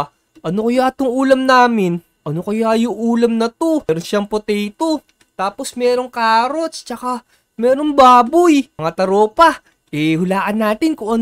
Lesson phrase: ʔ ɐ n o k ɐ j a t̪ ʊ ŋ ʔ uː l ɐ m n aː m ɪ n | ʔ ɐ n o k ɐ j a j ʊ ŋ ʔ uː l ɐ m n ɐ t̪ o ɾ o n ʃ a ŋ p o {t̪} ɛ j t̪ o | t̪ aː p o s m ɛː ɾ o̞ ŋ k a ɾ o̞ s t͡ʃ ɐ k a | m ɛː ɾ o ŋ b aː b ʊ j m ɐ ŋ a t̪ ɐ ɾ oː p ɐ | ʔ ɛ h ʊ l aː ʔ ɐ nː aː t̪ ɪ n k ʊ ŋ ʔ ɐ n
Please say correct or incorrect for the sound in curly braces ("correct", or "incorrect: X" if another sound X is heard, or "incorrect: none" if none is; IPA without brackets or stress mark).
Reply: correct